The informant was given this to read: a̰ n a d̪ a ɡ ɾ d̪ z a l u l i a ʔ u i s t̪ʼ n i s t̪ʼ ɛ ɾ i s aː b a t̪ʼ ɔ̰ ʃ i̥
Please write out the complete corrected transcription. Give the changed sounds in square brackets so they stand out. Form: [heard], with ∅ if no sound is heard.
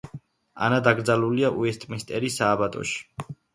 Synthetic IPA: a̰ n a d̪ a ɡ ɾ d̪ z a l u l i a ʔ u [ɛ] s t̪ʼ [m] i s t̪ʼ ɛ ɾ i s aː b a t̪ʼ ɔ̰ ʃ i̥